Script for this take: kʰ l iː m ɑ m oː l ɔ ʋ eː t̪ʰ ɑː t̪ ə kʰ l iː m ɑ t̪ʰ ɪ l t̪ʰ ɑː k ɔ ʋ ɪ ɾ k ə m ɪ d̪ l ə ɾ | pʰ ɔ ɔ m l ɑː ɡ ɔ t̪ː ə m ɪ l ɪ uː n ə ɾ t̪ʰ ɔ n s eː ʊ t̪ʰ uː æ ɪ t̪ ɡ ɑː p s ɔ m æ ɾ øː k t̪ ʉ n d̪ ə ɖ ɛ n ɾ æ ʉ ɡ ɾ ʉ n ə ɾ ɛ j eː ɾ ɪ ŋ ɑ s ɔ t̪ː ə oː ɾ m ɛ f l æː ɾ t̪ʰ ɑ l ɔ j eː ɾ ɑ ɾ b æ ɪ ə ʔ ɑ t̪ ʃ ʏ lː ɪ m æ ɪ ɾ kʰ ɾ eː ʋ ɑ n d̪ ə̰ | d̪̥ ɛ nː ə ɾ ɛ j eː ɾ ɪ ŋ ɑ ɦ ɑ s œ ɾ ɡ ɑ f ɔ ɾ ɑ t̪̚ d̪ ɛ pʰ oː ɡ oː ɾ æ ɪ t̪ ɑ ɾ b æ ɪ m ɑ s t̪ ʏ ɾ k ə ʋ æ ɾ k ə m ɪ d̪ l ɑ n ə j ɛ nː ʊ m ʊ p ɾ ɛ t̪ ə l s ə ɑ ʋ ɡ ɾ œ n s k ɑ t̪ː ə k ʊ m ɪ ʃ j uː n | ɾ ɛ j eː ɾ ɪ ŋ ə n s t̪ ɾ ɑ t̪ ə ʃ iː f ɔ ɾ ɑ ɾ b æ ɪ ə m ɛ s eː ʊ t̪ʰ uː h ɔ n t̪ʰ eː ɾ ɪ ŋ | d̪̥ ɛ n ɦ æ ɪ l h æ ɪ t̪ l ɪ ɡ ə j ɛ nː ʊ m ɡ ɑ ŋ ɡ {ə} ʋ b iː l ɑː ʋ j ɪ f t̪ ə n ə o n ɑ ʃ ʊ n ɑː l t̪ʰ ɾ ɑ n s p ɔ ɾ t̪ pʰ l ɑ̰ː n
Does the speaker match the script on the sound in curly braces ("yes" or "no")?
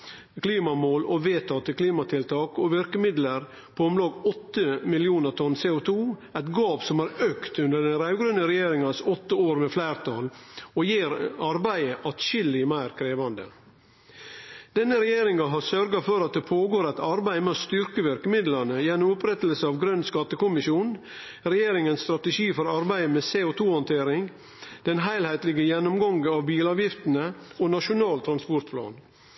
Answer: no